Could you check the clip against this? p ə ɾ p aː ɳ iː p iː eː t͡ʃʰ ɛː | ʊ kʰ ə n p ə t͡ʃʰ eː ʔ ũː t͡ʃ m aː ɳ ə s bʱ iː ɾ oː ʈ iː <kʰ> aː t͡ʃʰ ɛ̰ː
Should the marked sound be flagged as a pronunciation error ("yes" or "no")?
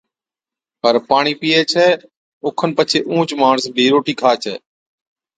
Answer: no